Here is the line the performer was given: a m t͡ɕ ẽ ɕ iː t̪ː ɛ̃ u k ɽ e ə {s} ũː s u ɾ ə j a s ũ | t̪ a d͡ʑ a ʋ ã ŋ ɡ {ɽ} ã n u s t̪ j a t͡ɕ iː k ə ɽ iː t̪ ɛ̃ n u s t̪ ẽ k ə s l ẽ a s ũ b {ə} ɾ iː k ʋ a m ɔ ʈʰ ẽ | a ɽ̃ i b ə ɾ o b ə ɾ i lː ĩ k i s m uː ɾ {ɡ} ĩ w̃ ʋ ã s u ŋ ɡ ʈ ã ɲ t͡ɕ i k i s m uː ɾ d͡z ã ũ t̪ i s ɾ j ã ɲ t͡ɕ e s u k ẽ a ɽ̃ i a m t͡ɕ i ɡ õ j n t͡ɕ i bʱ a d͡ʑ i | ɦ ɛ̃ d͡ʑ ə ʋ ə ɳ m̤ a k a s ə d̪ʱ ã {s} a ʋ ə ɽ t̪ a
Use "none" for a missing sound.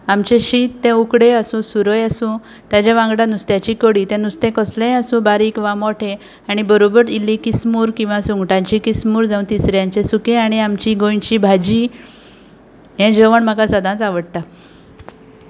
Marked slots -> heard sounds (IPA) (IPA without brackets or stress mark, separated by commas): s, ɽ, a, k, t͡s